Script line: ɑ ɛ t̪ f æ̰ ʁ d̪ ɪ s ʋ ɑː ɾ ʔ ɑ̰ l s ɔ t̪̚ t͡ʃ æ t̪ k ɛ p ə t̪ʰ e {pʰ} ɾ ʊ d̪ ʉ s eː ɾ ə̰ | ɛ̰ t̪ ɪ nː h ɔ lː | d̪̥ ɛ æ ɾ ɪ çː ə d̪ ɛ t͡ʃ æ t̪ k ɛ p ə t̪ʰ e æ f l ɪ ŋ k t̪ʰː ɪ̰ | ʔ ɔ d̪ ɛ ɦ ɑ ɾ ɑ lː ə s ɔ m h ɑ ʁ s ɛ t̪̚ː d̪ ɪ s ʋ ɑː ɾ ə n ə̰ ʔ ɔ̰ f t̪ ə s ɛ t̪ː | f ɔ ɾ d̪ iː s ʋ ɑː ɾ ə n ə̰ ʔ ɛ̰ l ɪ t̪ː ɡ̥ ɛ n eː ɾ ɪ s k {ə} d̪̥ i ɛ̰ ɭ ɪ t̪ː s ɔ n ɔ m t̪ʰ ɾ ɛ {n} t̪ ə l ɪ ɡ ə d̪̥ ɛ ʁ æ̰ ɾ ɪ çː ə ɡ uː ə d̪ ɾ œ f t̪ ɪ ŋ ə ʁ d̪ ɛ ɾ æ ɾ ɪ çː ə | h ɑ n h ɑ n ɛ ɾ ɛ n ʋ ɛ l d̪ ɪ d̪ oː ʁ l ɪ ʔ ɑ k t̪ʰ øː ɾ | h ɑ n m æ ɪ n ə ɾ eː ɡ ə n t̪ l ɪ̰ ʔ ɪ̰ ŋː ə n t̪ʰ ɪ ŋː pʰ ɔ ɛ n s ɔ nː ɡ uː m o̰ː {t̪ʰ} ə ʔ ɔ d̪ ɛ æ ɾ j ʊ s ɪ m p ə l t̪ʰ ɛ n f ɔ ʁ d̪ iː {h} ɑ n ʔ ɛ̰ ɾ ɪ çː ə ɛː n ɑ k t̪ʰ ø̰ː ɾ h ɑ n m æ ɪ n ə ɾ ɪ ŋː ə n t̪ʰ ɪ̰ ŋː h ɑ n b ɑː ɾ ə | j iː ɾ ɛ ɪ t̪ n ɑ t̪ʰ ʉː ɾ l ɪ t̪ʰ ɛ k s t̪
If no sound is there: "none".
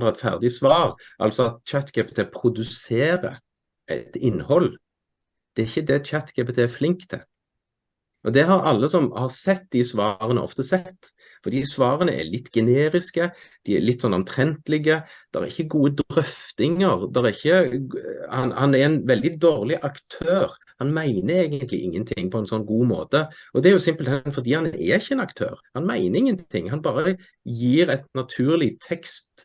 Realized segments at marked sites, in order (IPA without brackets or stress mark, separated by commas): pʰ, ə, n, t̪, h